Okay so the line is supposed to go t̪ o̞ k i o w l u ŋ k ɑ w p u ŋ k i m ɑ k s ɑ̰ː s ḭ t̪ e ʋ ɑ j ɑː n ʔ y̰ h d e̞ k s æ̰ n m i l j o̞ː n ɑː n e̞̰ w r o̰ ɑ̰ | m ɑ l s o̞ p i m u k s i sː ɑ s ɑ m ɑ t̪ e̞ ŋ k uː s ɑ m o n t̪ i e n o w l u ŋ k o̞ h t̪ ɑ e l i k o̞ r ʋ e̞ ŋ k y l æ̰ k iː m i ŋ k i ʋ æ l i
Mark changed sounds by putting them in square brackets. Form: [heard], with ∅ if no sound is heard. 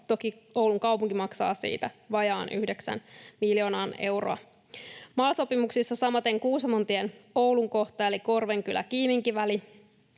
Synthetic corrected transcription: t̪ o̞ k i o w l u ŋ k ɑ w p u ŋ k i m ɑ k s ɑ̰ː s [ḭː] t̪ [æ] ʋ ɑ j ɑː n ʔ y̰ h d e̞ k s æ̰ n m i l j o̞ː n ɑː n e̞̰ w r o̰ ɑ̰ | m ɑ l s o̞ p i m u k s i sː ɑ s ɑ m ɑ t̪ e̞ ŋ k uː s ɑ m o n t̪ i e n o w l u ŋ k o̞ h t̪ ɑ e l i k o̞ r ʋ e̞ ŋ k y l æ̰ k iː m i ŋ k i ʋ æ l i